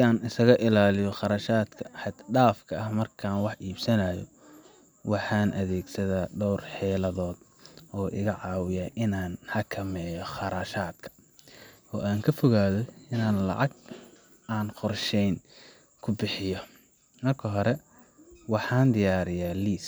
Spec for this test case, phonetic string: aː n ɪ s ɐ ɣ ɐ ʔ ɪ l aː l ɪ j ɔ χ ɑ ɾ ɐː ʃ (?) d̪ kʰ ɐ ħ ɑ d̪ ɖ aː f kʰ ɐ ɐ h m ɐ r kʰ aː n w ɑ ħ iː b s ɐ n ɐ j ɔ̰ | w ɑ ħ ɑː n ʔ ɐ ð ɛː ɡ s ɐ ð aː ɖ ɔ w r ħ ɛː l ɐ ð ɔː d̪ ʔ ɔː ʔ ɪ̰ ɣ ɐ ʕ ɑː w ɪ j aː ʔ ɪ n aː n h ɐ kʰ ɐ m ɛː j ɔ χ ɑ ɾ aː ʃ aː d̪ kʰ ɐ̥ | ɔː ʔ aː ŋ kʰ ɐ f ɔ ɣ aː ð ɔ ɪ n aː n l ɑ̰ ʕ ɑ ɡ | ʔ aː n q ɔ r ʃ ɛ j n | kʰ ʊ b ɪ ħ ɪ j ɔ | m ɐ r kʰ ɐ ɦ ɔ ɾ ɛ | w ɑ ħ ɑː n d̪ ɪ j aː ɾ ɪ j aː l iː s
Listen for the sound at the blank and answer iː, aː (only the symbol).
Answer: aː